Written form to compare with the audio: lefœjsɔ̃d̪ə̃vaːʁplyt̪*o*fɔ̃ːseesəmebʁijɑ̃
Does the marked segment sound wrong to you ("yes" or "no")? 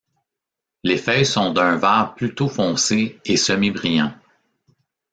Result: no